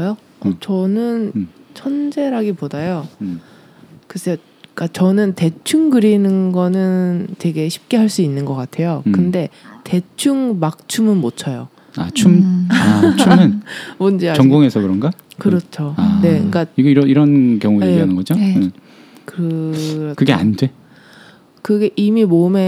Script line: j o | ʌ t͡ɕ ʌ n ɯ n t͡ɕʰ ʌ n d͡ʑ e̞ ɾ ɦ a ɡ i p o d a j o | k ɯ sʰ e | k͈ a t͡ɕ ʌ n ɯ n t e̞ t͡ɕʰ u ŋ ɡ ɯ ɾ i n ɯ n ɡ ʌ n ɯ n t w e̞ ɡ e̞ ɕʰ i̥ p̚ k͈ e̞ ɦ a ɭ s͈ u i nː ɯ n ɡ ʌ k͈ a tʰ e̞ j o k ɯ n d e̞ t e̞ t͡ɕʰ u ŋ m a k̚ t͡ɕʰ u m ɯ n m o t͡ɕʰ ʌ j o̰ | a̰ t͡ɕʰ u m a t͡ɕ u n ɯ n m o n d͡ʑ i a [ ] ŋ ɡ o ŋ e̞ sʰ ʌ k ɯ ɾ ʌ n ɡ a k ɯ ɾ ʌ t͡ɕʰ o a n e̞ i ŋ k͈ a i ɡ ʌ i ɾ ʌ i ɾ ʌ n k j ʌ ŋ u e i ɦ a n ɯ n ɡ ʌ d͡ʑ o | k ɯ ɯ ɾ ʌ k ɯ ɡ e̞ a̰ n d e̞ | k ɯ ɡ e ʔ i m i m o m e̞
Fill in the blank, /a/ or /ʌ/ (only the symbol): ʌ